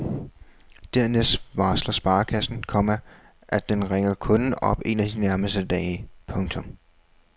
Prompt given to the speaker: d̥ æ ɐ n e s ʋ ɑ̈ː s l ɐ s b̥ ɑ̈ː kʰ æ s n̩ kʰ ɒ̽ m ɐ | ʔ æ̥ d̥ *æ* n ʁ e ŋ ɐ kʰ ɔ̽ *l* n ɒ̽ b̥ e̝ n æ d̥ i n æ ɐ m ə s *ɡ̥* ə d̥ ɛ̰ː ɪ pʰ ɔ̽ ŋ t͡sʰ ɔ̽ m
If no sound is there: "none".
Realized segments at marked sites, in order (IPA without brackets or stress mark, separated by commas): e, none, d̥